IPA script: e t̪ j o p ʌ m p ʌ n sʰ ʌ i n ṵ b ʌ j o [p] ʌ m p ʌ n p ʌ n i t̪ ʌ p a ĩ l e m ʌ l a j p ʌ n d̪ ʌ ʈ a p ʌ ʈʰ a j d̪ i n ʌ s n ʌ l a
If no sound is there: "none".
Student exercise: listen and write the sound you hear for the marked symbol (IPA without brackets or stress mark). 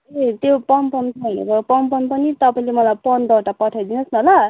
p